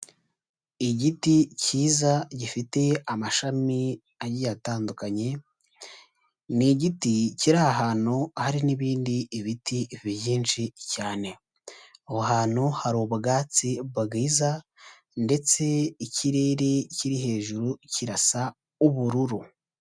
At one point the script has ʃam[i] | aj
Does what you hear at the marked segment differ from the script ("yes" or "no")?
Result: no